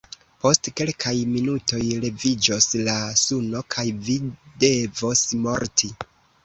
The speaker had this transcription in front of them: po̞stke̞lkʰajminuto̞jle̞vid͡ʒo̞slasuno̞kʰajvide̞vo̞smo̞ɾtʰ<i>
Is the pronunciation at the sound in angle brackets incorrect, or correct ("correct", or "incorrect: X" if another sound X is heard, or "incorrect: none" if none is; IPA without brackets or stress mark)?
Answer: correct